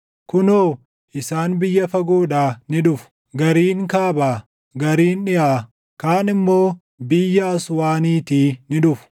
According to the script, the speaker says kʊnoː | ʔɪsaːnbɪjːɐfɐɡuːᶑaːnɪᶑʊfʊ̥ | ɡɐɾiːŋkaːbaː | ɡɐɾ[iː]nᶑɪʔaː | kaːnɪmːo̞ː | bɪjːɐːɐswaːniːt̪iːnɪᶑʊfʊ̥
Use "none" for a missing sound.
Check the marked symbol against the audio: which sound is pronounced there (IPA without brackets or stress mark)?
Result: iː